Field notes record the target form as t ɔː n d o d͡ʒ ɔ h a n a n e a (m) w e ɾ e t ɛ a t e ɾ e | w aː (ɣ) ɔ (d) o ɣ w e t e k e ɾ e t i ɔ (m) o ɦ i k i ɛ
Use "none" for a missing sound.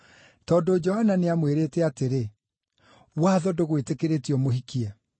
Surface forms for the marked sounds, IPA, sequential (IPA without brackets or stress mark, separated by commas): m, ð, d, m